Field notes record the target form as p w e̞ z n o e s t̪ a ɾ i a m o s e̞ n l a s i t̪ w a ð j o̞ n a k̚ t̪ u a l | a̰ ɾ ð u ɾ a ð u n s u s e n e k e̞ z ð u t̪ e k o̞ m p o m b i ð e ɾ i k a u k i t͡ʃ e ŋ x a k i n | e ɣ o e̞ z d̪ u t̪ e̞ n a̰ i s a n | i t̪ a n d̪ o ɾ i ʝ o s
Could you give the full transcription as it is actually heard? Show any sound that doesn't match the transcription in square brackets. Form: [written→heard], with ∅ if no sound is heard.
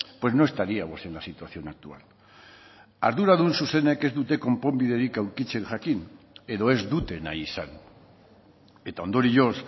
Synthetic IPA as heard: p w e̞ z n o e s t̪ a ɾ i a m o s e̞ n l a s i t̪ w a [ð→θ] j o̞ n a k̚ t̪ u a l | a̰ ɾ ð u ɾ a ð u n s u s e n e k e̞ z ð u t̪ e k o̞ m p o m b i ð e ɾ i k a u k i t͡ʃ e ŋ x a k i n | e [ɣ→ð] o e̞ z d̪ u t̪ e̞ n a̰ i s a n | [i→e] t̪ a n d̪ o ɾ i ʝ o s